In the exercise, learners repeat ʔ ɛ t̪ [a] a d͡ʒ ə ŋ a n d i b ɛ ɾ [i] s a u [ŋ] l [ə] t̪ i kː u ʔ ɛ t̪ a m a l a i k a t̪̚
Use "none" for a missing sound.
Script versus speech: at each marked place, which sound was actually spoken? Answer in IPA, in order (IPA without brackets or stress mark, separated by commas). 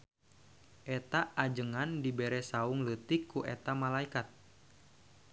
a, ɛ, ŋ, ə